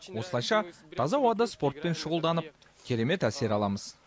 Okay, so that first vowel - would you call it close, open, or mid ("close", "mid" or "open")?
mid